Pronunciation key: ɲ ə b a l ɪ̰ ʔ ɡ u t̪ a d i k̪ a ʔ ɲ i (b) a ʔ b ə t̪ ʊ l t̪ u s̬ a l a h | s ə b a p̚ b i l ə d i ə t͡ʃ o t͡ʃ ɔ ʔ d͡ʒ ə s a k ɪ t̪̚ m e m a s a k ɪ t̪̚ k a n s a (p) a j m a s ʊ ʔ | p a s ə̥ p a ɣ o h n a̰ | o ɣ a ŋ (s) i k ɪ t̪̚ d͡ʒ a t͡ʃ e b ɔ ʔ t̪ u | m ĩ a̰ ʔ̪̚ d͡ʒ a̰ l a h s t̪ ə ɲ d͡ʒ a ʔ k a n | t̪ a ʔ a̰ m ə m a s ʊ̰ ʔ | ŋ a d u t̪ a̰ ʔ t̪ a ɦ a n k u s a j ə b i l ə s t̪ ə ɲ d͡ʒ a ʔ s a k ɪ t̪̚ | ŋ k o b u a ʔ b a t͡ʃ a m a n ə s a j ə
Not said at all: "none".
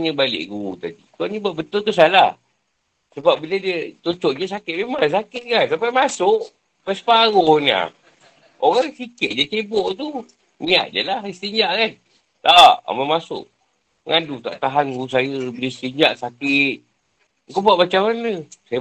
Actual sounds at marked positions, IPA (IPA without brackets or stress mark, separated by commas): b, p, s